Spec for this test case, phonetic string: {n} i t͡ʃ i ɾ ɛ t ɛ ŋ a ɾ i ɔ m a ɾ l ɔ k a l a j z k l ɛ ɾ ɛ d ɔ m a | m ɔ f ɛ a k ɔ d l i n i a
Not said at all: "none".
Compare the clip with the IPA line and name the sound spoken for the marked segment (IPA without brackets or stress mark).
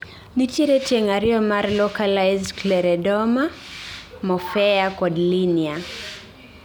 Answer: n